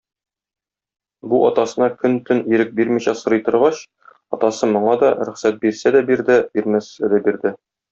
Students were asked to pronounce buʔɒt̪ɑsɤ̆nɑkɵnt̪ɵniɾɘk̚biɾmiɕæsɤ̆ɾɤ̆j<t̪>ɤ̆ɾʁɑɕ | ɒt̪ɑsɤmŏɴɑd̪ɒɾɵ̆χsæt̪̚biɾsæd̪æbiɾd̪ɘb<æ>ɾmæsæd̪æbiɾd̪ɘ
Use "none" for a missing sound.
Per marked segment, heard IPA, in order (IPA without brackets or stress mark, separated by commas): t̪, i